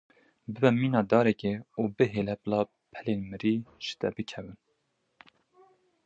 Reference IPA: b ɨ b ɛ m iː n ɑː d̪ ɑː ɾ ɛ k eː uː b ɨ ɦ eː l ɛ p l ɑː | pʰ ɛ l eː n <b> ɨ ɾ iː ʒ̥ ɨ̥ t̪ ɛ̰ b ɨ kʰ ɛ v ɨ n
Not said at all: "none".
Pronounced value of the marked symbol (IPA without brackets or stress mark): m